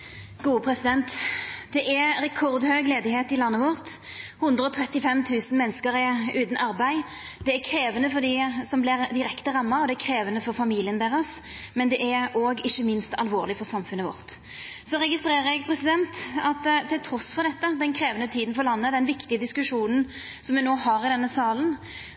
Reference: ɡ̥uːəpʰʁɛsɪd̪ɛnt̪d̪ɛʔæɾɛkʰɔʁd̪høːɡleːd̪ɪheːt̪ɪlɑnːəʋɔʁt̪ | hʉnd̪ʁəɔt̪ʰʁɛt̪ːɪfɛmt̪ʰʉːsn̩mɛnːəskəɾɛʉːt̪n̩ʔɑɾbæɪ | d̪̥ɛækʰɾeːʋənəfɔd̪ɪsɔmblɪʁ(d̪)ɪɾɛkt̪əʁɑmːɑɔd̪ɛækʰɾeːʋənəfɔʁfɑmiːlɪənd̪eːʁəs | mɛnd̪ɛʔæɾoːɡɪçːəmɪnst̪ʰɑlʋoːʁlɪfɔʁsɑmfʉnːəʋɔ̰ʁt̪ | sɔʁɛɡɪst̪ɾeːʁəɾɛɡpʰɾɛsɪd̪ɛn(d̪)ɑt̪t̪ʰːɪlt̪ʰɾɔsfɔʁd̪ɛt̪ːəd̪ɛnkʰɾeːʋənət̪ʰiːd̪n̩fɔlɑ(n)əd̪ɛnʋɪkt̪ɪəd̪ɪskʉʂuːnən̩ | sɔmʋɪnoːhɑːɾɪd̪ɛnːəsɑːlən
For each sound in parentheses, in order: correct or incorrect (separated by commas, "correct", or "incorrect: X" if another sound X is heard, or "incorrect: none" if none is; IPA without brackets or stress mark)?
correct, incorrect: t̪, incorrect: nː